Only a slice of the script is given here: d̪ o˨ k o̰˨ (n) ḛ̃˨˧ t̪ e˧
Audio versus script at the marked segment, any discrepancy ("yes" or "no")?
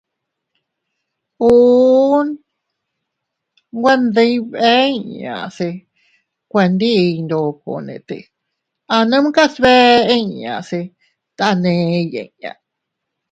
no